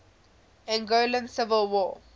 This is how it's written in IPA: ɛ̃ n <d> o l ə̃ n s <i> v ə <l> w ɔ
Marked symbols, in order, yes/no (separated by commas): no, no, yes